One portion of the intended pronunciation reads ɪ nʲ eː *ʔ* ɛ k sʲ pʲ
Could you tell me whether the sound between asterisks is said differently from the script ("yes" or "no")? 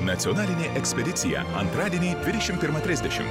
no